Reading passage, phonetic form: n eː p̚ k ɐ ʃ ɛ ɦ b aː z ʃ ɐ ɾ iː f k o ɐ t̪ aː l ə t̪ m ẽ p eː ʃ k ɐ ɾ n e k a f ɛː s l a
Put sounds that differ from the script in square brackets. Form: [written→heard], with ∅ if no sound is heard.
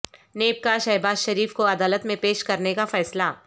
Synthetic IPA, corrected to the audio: n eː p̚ k [ɐ→a] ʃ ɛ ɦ b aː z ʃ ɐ ɾ iː f k o ɐ [t̪→d̪] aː l ə t̪ m ẽ p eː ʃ k ɐ ɾ n e k a f ɛː s l a